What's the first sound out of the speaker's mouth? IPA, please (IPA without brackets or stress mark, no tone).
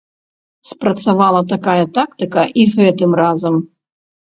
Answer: s